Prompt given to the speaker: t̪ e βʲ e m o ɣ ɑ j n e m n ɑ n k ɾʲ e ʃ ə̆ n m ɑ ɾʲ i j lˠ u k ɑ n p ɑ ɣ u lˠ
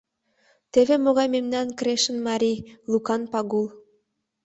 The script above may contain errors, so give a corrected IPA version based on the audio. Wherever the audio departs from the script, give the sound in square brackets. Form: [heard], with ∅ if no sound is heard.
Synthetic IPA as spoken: t̪ e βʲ e m o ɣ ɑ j [m] e m n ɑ n k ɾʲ e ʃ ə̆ n m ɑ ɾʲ i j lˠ u k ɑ n p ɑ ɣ u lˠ